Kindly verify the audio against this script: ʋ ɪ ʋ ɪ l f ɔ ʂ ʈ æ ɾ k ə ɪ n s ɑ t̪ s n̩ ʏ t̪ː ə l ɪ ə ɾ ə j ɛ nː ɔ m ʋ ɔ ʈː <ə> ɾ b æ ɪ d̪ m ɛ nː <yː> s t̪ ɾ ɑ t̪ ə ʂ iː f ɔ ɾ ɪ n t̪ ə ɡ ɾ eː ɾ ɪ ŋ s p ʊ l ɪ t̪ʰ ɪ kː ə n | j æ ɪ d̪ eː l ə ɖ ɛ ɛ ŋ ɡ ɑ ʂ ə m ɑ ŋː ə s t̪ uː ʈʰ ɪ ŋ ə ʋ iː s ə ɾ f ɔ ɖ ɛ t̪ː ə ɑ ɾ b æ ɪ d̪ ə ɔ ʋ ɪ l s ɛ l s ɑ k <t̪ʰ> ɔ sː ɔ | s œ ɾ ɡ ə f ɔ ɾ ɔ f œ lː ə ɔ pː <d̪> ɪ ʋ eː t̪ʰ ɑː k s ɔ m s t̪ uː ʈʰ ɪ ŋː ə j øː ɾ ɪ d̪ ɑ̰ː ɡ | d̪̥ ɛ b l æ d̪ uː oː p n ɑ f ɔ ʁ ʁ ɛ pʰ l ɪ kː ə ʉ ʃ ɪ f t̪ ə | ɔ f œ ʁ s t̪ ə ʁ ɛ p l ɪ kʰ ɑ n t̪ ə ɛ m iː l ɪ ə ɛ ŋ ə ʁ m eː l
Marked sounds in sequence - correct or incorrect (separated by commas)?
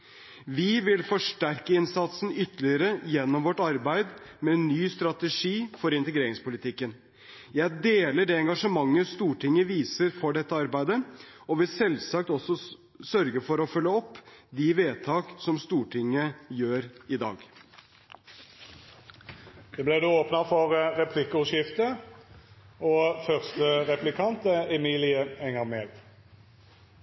incorrect, correct, incorrect, correct